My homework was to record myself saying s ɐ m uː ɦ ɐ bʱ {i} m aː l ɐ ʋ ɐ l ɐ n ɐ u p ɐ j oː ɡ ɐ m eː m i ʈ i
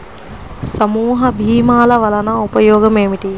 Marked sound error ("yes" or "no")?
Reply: yes